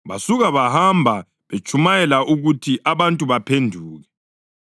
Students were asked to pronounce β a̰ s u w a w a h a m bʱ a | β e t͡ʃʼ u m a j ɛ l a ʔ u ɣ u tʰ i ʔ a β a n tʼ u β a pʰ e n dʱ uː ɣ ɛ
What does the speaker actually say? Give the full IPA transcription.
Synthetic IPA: β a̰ s u ɣ a β a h a m bʱ a | β e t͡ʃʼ u m a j ɛ l a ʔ u ɣ u tʰ i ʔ a β a n tʼ u β a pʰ e n dʱ uː ɣ ɛ